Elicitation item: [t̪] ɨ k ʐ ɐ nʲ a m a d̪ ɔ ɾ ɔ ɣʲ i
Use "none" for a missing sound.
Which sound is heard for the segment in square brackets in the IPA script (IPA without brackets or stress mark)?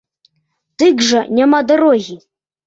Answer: t̪